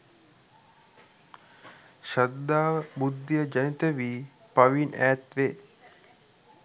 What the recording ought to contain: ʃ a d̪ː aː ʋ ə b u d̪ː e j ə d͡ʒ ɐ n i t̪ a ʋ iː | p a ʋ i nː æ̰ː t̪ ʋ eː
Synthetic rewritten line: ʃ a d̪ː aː ʋ ə b u d̪ː i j ə d͡ʒ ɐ n i t̪ ə ʋ iː | p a ʋ i n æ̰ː t̪ ʋ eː